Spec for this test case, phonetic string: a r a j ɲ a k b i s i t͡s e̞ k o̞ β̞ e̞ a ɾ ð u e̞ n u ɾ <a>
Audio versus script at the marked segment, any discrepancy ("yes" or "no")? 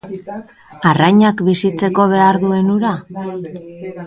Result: no